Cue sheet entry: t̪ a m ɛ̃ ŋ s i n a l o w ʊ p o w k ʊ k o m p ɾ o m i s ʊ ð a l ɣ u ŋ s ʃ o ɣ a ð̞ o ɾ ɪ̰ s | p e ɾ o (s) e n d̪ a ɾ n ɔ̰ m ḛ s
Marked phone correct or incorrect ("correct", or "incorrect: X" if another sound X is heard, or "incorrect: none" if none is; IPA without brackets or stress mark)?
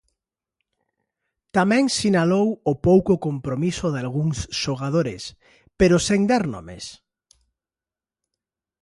correct